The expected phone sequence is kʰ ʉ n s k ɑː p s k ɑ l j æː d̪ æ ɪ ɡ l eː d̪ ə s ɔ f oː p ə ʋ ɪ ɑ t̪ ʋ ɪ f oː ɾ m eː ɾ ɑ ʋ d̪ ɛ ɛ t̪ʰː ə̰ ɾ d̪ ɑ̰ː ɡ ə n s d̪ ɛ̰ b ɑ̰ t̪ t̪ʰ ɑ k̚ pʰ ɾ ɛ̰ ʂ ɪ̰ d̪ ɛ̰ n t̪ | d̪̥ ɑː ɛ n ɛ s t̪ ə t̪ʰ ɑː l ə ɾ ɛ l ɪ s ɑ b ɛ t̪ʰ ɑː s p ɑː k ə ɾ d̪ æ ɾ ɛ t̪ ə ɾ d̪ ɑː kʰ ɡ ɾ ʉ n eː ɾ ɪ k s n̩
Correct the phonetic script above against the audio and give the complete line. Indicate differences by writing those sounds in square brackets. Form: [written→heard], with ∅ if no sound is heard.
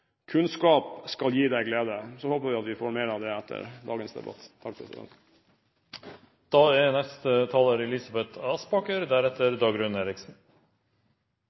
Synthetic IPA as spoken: kʰ ʉ n s k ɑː p s k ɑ l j [æː→iː] d̪ æ ɪ ɡ l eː d̪ ə s ɔ [f→h] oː p ə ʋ ɪ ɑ t̪ ʋ ɪ f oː ɾ m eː ɾ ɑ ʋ d̪ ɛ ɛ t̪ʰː ə̰ ɾ d̪ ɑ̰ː ɡ ə n s d̪ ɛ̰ b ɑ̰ t̪ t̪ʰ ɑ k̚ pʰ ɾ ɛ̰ [ʂ→s] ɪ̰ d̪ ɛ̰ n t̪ | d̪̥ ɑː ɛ n ɛ s t̪ ə t̪ʰ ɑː l ə ɾ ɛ l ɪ s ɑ b ɛ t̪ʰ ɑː s p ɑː k ə ɾ d̪ æ ɾ ɛ t̪ ə ɾ d̪ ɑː [kʰ→∅] ɡ ɾ ʉ n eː ɾ ɪ k s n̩